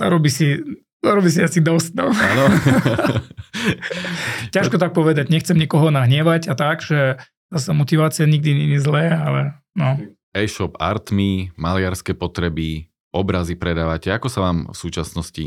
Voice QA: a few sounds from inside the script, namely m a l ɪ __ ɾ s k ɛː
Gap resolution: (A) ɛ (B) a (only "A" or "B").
B